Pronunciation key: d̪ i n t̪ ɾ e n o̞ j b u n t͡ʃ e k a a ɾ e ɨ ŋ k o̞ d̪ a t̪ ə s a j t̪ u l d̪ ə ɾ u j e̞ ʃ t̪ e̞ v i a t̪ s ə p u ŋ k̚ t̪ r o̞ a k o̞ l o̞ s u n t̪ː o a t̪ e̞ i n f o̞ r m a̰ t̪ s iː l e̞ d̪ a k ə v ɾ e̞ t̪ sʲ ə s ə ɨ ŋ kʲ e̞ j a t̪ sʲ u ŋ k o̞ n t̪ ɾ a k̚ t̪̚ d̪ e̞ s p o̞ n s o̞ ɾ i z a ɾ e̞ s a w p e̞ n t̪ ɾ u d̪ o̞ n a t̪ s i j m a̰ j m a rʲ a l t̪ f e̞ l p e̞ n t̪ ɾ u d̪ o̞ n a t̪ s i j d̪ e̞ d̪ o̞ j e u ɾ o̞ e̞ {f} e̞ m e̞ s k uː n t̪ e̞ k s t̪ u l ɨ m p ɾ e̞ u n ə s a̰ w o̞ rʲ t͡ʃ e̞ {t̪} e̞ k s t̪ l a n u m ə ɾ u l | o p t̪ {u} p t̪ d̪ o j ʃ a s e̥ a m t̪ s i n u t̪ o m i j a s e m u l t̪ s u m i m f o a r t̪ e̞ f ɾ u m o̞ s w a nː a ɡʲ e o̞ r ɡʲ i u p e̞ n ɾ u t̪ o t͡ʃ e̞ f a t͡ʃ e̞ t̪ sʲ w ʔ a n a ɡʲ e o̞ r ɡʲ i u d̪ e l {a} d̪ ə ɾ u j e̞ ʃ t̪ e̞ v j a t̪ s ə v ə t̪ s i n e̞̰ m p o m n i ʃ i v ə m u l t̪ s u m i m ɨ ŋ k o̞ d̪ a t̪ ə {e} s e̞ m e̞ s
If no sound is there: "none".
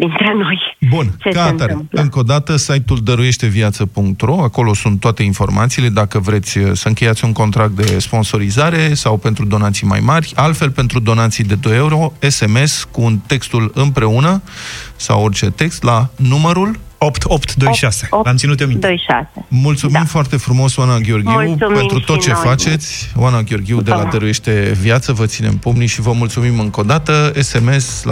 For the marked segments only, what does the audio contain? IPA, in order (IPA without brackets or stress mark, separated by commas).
s, t̪, o, a, e